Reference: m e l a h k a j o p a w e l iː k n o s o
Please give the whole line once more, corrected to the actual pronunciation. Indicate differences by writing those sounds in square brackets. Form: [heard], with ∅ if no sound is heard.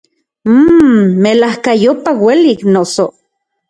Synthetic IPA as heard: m e l a h k a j o p a w e l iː k n o s o

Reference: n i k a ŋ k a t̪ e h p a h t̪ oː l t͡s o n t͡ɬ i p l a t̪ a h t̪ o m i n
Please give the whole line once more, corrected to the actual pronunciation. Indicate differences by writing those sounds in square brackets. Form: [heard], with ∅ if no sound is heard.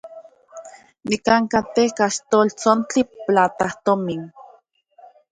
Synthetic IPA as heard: n i k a ŋ k a t̪ e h [k] a [ʃ] t̪ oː l t͡s o n t͡ɬ i p l a t̪ a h t̪ o m i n

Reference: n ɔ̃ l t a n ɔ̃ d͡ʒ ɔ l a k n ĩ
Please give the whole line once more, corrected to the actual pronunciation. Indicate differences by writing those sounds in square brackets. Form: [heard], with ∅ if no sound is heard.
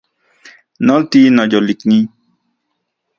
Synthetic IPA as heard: n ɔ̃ l t [i] n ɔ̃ d͡ʒ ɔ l [i] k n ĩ

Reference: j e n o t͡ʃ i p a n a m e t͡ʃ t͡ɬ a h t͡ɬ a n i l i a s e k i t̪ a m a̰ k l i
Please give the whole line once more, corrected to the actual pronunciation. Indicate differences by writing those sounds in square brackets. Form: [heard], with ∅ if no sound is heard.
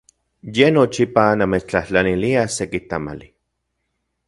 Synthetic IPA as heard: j e n o t͡ʃ i p a n a m e t͡ʃ t͡ɬ a h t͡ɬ a n i l i a s e k i t̪ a m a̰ [∅] l i

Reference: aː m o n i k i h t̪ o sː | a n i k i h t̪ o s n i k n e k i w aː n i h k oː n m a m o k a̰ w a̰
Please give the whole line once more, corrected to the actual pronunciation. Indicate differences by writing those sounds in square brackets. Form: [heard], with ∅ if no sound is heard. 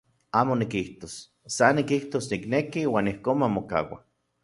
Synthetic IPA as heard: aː m o n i k i h t̪ o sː | a n i k i h t̪ o s n i k n e k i w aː n i h k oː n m a m o k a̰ w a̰

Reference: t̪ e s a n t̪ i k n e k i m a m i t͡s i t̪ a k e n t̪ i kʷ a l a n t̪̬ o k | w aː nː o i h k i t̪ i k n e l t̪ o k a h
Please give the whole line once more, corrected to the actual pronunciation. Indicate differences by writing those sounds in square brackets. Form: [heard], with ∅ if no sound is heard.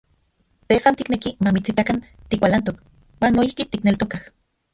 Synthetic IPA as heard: t̪ e s a n t̪ i k n e k i m a m i t͡s i t̪ a k [a] n t̪ i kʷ a l a n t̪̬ o k | w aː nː o i h k i t̪ i k n e l t̪ o k a h

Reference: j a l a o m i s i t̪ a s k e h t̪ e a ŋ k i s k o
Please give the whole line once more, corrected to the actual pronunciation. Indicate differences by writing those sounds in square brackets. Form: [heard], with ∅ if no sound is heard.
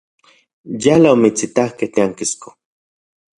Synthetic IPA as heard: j a l a o m i [t͡s] i t̪ a [h] k e h t̪ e a ŋ k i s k o

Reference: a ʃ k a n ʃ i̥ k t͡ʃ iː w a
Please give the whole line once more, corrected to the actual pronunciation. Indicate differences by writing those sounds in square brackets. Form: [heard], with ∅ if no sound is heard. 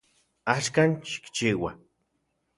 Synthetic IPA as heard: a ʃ k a n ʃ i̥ k t͡ʃ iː w a

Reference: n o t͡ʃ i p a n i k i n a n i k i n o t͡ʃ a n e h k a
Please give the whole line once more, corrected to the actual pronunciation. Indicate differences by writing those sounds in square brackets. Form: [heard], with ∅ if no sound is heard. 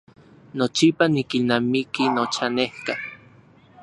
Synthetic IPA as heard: n o t͡ʃ i p a n i k i n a [m] i k i n o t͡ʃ a n e h k a

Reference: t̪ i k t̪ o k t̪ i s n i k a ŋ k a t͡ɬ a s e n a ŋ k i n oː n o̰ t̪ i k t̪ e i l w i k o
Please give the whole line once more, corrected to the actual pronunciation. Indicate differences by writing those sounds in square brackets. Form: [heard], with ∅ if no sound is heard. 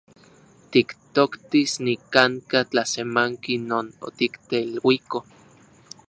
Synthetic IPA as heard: t̪ i k t̪ o k t̪ i s n i k a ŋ k a t͡ɬ a s e [m] a ŋ k i n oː n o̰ t̪ i k t̪ e i l w i k o

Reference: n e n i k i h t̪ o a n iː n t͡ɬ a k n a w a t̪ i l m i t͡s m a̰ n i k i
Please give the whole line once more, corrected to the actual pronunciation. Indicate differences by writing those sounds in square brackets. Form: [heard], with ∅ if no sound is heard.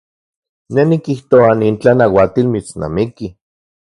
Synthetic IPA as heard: n e n i k i h t̪ o a n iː n t͡ɬ a [∅] n a w a t̪ i l m i t͡s [n] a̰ [m] i k i

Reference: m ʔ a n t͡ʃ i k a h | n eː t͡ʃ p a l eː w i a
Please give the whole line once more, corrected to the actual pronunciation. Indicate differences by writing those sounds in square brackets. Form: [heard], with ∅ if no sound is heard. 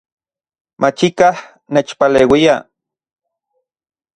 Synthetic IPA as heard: m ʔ a [∅] t͡ʃ i k a h | n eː t͡ʃ p a l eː w i a

